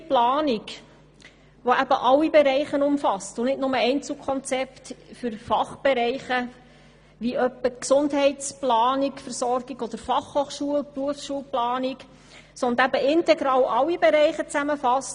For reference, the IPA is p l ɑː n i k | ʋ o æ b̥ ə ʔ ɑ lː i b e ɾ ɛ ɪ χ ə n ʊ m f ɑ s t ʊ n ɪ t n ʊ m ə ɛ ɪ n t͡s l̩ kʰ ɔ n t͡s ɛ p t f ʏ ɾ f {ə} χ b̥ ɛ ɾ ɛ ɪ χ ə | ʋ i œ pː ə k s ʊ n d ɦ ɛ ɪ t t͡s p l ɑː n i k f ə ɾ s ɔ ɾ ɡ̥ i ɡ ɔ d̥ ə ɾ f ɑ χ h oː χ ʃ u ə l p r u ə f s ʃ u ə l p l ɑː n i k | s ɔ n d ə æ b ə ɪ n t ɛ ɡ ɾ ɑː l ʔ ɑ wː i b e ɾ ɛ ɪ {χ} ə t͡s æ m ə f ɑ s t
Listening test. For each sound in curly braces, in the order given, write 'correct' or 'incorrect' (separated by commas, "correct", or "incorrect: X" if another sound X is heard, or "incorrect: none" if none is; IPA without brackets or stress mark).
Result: incorrect: ɑ, correct